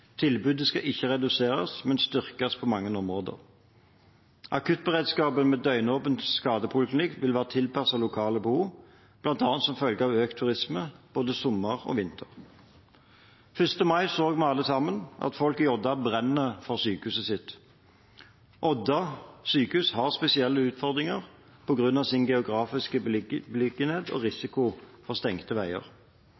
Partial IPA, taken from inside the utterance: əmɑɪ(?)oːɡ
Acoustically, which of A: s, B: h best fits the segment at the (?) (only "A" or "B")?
A